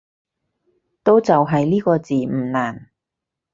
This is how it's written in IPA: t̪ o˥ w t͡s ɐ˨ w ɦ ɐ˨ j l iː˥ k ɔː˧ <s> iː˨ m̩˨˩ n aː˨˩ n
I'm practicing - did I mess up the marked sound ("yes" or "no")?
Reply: yes